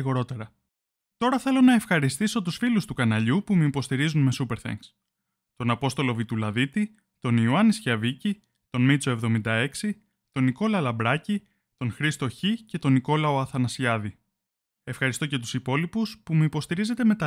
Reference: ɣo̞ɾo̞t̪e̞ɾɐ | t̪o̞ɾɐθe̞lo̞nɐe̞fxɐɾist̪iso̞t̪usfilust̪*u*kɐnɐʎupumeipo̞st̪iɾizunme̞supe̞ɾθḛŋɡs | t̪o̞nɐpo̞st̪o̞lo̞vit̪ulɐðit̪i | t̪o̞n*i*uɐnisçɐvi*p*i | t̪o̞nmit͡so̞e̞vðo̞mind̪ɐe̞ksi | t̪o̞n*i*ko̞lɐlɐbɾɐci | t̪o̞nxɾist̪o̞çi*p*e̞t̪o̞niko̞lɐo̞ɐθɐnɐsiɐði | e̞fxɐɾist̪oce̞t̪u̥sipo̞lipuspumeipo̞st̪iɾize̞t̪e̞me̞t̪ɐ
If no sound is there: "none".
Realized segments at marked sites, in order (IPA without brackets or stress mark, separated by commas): u, i, c, i, c